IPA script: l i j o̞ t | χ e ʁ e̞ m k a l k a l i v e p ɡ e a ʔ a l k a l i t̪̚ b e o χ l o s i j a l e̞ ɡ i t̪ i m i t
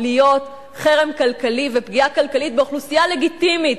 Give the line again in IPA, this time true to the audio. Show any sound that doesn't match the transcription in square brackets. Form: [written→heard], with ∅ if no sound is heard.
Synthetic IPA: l i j o̞ t | χ e ʁ e̞ m k a l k a l i v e p ɡ [e→i] a [ʔ→k] a l k a l i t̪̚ b e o χ l [o→u] s i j a l e̞ ɡ i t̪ i m i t